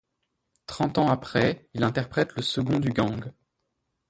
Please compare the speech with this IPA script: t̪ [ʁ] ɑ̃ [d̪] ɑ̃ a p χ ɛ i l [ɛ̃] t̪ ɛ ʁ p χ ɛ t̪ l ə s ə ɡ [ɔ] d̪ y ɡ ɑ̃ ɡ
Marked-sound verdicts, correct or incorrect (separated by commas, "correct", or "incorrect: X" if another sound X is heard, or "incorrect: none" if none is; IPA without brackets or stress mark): incorrect: χ, incorrect: t̪, correct, incorrect: ɔ̃